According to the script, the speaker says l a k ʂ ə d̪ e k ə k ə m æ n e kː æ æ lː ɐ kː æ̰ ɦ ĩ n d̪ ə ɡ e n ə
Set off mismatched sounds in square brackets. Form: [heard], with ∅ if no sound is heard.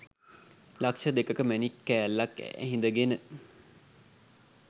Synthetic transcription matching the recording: l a k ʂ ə d̪ e k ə k ə m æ n [i] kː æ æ lː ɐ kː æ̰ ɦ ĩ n d̪ ə ɡ e n ə